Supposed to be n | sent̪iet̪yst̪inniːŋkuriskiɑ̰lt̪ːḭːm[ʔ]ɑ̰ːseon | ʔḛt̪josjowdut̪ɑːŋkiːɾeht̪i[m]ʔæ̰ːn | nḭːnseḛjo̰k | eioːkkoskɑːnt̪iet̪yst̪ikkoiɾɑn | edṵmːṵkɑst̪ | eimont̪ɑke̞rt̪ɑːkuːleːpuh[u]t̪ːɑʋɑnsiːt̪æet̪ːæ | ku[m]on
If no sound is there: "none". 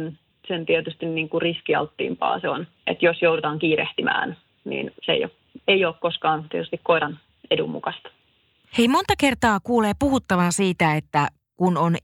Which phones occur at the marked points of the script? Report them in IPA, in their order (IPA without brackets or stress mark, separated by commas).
p, m, u, n